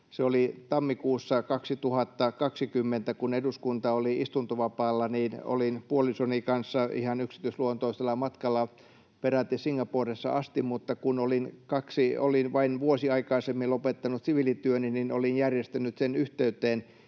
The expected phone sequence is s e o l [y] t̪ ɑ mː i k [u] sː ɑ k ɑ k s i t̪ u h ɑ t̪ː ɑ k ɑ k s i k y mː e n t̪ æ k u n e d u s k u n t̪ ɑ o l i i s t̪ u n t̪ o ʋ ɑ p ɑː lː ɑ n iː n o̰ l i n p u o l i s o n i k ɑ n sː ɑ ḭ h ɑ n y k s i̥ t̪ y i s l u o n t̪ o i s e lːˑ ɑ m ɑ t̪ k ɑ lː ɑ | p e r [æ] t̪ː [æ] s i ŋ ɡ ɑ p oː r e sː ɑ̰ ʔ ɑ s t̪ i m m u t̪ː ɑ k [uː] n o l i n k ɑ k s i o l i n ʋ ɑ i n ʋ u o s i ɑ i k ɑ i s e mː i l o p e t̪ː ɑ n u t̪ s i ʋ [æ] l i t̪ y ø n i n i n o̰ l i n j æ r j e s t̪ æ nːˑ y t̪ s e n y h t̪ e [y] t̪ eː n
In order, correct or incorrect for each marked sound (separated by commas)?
incorrect, incorrect, correct, incorrect, incorrect, incorrect, correct